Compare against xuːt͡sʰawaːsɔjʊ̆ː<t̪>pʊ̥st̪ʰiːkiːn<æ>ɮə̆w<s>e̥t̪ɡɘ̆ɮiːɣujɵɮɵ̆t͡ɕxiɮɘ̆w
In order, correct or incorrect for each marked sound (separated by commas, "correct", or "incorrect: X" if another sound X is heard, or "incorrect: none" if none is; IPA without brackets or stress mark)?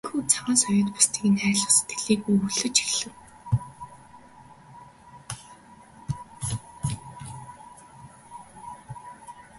correct, incorrect: æː, correct